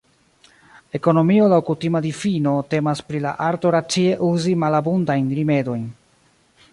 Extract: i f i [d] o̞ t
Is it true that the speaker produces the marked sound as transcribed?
no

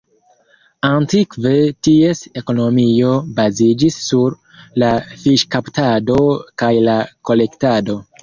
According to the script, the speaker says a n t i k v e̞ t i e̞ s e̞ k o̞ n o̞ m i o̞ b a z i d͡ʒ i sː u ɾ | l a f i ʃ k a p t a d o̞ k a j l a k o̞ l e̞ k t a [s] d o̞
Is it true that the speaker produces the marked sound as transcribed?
no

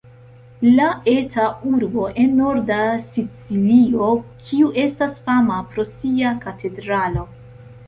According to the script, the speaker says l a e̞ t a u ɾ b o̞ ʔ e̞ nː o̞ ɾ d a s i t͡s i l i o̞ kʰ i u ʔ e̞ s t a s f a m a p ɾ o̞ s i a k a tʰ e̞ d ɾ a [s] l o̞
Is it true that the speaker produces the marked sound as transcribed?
no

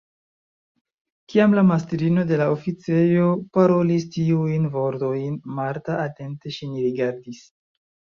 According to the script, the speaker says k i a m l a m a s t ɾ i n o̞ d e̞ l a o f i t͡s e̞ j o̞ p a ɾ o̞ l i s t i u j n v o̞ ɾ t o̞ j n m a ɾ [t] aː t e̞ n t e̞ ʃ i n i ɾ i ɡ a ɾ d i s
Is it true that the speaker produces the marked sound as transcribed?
yes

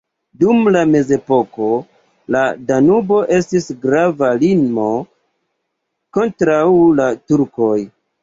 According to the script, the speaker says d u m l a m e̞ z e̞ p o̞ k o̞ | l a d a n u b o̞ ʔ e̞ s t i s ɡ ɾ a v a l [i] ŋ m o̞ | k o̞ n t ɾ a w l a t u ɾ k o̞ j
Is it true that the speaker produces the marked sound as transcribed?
yes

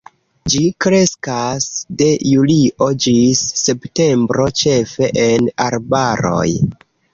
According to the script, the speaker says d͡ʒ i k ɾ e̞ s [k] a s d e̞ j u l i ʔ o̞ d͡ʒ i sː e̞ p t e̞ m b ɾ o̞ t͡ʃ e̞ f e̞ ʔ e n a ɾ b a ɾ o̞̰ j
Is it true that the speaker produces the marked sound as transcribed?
yes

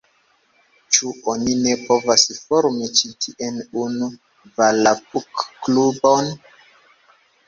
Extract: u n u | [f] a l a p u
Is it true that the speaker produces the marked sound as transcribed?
no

